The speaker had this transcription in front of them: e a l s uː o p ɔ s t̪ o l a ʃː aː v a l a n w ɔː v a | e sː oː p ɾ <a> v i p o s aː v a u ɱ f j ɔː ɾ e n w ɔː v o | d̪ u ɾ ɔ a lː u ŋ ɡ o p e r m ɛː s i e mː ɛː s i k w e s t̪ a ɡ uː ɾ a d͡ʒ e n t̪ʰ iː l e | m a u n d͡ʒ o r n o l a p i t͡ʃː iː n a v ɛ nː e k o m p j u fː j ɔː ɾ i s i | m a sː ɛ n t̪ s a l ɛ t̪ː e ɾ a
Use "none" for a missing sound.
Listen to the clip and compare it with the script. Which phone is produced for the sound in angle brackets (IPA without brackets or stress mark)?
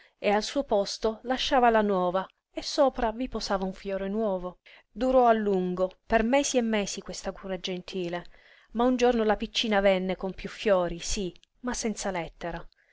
a